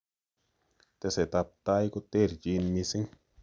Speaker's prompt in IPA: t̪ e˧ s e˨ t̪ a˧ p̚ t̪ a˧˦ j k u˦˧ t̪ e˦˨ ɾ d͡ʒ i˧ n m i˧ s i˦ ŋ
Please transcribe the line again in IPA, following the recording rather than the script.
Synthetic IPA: t̪ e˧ s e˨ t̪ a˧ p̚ t̪ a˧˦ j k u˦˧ t̪ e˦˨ ɾ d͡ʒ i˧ n m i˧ s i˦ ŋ